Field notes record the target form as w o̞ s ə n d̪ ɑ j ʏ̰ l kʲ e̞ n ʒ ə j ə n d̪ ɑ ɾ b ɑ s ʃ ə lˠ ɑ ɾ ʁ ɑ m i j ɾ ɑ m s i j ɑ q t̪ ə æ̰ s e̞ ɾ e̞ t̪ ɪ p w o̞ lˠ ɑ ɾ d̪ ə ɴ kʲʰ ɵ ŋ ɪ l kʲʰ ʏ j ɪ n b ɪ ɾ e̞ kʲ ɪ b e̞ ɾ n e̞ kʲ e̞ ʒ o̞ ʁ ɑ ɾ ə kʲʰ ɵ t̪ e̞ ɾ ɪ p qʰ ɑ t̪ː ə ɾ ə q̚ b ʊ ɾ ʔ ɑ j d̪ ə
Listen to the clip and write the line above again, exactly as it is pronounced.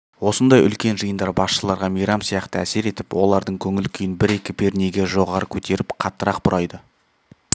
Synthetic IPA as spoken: w o̞ s ə n d̪ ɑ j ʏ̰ l kʲ e̞ n ʒ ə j ə n d̪ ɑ ɾ b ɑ s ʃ ə lˠ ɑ ɾ ʁ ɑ m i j ɾ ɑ m s i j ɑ q t̪ ə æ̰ s e̞ ɾ e̞ t̪ ɪ p w o̞ lˠ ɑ ɾ d̪ ə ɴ kʲʰ ɵ ŋ ɪ l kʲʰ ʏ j ɪ n b ɪ ɾ e̞ kʲ ɪ b e̞ ɾ n e̞ ɡʲ e̞ ʒ o̞ ʁ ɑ ɾ ə kʲʰ ɵ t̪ e̞ ɾ ɪ p qʰ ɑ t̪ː ə ɾ ɑ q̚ b ʊ ɾ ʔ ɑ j d̪ ə